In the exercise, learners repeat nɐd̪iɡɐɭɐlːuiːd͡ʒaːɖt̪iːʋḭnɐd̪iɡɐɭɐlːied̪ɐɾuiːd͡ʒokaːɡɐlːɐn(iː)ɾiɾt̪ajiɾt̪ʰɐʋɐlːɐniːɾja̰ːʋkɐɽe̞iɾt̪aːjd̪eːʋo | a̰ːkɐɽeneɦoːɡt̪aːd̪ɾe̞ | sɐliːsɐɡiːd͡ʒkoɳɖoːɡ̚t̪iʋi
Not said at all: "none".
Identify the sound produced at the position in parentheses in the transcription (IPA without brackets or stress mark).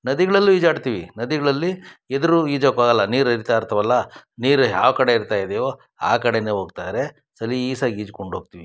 iː